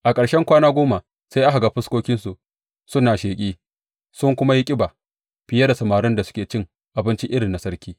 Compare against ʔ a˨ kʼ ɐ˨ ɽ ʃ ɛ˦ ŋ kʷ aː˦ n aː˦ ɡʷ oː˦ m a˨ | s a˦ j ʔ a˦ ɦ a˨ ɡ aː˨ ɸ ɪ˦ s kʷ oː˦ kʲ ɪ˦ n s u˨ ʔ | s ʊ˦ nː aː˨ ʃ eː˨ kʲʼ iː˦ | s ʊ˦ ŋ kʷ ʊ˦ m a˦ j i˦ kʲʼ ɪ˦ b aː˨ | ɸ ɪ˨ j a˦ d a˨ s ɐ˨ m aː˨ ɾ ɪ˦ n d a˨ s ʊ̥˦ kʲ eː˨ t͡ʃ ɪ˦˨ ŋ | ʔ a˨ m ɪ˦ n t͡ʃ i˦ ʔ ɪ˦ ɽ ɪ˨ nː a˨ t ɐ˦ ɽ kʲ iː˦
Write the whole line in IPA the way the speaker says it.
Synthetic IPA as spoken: ʔ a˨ kʼ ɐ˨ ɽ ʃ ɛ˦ ŋ kʷ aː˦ n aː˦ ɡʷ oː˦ m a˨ | s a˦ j ʔ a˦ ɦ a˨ ɡ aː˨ ɸ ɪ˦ s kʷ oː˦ kʲ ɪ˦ n s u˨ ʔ | s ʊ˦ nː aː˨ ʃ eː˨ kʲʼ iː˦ | s ʊ˦ ŋ kʷ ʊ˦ m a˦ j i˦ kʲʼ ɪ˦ b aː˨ | ɸ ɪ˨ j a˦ d a˨ s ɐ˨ m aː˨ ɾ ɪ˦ n d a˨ s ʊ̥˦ kʲ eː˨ t͡ʃ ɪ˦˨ ŋ | ʔ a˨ b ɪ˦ n t͡ʃ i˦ ʔ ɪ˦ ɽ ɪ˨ nː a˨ s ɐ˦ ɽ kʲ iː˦